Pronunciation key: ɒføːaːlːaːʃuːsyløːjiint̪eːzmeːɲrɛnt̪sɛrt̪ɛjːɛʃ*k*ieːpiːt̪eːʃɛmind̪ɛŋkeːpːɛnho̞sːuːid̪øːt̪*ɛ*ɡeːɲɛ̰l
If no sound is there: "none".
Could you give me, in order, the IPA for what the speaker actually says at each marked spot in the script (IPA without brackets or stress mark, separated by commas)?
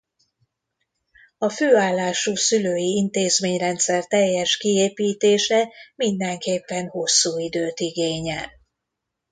k, i